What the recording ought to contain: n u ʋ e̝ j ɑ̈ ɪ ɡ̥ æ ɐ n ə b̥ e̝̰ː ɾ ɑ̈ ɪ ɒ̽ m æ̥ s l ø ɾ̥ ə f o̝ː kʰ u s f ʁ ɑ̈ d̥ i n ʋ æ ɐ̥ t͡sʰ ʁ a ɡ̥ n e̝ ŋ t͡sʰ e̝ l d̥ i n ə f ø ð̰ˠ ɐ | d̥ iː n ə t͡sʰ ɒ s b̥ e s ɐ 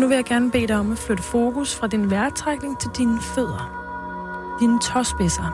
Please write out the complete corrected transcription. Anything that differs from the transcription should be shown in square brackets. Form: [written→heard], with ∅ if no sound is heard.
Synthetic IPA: n u ʋ e̝ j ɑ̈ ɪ ɡ̥ æ ɐ n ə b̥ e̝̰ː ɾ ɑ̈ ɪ ɒ̽ m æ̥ [s→f] l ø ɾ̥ ə f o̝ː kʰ u s f ʁ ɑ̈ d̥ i n ʋ æ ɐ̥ t͡sʰ ʁ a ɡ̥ n e̝ ŋ t͡sʰ e̝ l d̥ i n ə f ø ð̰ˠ ɐ | d̥ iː n ə t͡sʰ ɒ s b̥ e s ɐ